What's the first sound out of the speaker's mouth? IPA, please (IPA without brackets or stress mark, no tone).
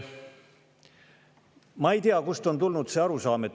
m